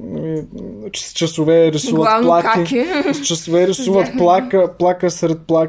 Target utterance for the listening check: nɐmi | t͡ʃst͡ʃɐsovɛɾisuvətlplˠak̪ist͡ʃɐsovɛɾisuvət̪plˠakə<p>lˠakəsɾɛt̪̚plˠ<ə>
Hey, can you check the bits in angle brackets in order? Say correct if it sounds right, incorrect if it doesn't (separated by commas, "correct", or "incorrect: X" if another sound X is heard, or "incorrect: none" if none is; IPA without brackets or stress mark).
correct, incorrect: a